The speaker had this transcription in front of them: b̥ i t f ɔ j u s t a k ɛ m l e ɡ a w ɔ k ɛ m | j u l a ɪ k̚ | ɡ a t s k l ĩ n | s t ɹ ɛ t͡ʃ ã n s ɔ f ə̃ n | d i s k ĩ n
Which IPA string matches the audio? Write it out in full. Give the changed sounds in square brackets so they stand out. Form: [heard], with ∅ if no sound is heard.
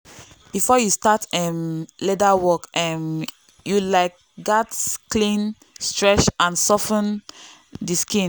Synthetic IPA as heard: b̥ i [∅] f ɔ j u s t a [t] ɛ m l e [d] a w ɔ k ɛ m | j u l a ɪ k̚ | ɡ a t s k l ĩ n | s t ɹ ɛ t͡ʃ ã n s ɔ f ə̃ n | d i s k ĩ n